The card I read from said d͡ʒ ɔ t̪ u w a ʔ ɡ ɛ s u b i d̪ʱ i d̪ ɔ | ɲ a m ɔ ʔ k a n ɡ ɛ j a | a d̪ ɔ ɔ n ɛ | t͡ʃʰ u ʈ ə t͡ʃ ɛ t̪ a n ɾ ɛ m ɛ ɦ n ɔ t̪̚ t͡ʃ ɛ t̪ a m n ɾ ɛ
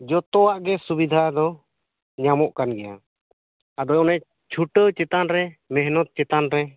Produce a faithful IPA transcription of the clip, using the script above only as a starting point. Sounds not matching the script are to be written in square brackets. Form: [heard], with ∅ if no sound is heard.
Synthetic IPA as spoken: d͡ʒ ɔ t̪ [ɔ] w a ʔ ɡ ɛ s u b i d̪ʱ [a] d̪ ɔ | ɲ a m ɔ ʔ k a n ɡ ɛ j a | a d̪ ɔ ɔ n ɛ | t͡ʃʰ u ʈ ə t͡ʃ ɛ t̪ a n ɾ ɛ m ɛ ɦ n ɔ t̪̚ t͡ʃ ɛ t̪ a [∅] n ɾ ɛ